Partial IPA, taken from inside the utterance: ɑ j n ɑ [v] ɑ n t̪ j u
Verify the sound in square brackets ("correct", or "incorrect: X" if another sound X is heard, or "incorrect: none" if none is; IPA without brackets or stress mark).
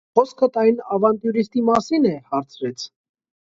correct